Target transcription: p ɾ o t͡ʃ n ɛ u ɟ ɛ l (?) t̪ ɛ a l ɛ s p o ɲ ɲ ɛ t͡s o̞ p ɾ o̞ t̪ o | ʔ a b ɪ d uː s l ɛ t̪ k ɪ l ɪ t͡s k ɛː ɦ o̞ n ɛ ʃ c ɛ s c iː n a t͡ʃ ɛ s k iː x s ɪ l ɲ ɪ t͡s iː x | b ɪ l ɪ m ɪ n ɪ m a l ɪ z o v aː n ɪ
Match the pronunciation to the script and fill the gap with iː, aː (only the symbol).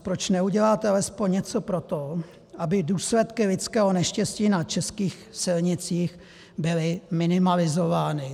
aː